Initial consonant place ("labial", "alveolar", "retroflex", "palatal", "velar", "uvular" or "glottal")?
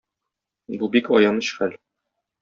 labial